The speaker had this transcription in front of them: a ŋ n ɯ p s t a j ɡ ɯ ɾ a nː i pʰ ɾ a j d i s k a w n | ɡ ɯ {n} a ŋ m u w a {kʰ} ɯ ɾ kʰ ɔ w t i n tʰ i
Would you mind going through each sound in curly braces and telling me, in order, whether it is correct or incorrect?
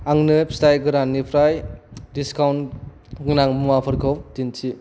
correct, incorrect: pʰ

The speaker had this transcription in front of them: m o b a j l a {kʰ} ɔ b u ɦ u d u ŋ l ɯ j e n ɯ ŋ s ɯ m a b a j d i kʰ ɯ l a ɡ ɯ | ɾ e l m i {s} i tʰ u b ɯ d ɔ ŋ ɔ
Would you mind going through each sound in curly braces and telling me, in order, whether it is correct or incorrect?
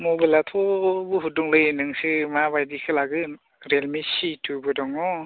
incorrect: tʰ, correct

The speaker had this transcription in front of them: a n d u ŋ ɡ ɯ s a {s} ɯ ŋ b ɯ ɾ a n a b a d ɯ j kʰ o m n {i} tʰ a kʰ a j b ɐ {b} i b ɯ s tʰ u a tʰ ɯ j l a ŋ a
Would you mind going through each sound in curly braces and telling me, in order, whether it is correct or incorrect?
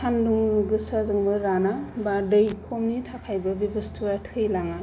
incorrect: z, correct, correct

